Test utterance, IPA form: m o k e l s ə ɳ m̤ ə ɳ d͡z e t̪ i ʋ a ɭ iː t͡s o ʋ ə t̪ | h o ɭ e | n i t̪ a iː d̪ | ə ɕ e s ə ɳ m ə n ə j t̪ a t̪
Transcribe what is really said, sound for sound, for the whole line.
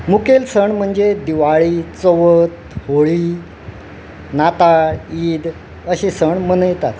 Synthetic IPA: m u k e l s ə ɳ m̤ ə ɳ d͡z e d̪ i ʋ a ɭ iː t͡s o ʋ ə t̪ | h o ɭ i | n a t̪ a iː d̪ | ə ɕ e s ə ɳ m ə n ə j t̪ a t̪